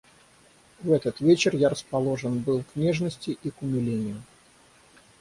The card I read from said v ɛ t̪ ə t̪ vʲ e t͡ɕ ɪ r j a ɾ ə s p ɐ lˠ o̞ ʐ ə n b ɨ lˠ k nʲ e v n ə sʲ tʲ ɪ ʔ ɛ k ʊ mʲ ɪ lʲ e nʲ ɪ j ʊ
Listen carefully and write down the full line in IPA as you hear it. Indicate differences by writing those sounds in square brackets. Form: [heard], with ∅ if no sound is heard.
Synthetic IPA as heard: v ɛ t̪ ə t̪ vʲ e t͡ɕ ɪ r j a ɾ ə s p ɐ lˠ o̞ ʐ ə n b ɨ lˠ k nʲ e [ʐ] n ə sʲ tʲ ɪ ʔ [i] k ʊ mʲ ɪ lʲ e nʲ ɪ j ʊ